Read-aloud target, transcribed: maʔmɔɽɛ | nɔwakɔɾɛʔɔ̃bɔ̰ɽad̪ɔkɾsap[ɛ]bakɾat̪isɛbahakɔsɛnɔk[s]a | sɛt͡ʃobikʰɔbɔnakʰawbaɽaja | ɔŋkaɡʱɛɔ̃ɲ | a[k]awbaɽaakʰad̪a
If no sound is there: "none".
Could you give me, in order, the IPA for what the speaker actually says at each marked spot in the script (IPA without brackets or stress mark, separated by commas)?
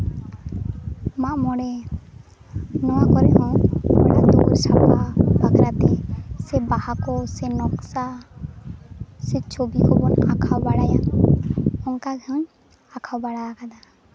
a, s, kʰ